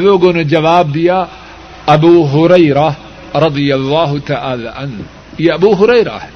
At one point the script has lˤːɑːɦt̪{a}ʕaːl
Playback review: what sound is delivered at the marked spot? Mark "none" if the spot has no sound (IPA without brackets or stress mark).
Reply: a